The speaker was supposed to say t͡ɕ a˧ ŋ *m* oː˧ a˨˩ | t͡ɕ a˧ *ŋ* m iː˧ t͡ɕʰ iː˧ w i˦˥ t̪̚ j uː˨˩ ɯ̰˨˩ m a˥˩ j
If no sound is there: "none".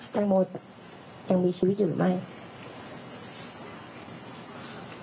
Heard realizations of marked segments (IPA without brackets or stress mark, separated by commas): m, ŋ